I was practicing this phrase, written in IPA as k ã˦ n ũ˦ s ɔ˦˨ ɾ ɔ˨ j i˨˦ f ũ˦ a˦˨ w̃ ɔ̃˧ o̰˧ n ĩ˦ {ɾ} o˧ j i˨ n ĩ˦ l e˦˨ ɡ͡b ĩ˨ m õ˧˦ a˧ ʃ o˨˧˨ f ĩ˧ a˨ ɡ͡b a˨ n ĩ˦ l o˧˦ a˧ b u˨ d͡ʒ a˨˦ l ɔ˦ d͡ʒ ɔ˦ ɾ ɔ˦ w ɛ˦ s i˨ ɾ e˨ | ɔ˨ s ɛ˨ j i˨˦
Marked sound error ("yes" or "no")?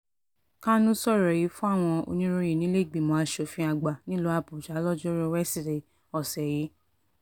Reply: no